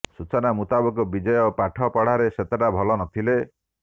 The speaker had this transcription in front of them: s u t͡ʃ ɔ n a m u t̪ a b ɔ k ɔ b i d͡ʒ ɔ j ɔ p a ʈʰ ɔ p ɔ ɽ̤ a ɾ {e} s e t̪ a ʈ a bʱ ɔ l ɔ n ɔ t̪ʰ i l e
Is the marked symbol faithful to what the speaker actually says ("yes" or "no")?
yes